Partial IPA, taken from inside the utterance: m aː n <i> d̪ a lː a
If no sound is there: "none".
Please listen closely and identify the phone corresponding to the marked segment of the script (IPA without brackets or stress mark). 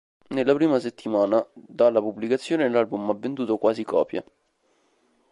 a